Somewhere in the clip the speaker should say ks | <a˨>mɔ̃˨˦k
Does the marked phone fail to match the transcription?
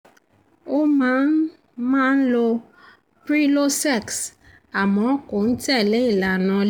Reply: no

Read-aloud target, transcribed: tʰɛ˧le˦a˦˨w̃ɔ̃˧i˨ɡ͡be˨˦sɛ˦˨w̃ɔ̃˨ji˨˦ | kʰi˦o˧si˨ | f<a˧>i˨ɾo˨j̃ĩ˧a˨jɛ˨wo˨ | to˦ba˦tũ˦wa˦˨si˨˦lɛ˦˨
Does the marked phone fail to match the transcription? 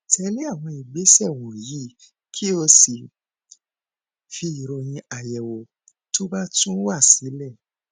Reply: yes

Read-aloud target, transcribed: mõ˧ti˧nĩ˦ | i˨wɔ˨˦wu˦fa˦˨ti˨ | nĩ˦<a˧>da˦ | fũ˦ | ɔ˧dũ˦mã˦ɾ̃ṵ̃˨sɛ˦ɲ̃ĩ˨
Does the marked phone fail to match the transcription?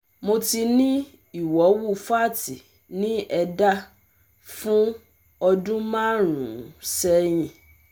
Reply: yes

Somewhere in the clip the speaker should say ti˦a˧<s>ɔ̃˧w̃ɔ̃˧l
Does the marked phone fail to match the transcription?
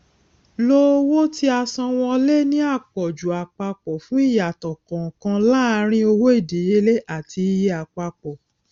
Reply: no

